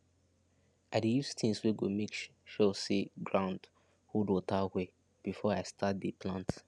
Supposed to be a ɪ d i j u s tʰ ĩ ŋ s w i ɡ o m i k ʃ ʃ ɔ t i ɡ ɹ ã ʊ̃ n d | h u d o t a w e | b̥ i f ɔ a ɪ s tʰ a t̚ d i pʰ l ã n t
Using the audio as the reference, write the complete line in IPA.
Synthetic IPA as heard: a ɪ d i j u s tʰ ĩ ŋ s w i ɡ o m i k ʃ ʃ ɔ s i ɡ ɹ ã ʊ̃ n d | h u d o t a w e | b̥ i f ɔ a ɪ s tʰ a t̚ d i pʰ l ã n t